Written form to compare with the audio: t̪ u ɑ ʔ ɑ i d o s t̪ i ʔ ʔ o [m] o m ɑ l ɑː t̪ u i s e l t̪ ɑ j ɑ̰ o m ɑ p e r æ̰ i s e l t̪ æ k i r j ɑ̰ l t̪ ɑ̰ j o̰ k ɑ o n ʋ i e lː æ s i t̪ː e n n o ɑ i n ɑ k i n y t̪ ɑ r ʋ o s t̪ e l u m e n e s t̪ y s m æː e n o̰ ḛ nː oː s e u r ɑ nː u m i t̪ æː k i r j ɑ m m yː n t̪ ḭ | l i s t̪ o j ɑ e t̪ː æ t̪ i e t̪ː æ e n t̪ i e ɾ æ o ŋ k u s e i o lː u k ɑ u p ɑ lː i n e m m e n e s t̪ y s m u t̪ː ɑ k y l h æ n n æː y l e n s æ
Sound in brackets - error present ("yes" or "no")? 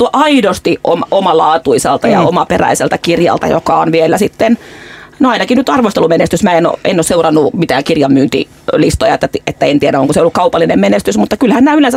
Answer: no